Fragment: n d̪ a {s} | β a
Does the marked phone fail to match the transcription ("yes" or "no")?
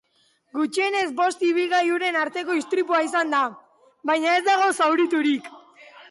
yes